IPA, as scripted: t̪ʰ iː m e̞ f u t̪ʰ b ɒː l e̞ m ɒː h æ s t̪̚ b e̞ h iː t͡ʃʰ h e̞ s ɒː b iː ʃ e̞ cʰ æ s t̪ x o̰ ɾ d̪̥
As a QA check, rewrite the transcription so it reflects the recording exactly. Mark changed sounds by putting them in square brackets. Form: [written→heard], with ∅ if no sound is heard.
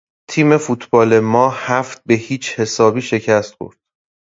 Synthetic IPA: t̪ʰ iː m e̞ f u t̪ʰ b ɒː l e̞ m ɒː h æ [s→f] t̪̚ b e̞ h iː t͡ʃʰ h e̞ s ɒː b iː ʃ e̞ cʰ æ s t̪ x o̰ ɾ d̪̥